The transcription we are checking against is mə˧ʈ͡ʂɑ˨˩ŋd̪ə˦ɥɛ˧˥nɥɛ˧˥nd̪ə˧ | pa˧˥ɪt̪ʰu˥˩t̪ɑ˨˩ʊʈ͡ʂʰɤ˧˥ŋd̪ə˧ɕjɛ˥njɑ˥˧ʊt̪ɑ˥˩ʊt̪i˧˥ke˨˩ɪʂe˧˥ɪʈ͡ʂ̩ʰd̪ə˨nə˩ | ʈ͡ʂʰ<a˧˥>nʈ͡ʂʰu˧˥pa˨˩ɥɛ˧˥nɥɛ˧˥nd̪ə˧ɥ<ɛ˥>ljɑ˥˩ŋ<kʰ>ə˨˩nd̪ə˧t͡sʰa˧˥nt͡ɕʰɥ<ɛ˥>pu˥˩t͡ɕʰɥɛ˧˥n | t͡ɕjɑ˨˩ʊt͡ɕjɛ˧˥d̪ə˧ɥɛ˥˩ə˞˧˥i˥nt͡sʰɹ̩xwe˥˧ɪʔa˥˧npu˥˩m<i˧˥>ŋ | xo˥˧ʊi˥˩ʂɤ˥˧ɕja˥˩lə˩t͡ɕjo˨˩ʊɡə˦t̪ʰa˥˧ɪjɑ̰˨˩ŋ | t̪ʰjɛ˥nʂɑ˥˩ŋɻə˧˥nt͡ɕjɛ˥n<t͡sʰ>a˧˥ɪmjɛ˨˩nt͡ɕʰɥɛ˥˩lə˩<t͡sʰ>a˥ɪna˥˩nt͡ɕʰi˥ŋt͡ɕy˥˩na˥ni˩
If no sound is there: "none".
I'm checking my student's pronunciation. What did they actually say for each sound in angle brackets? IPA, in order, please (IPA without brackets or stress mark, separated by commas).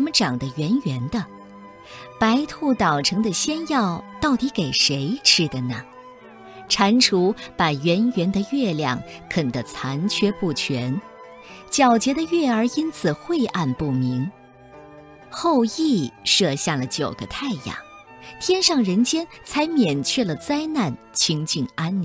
a˧˥, ɛ˥˧, kʰ, ɛ˥, i˧˥, t͡sʰ, t͡s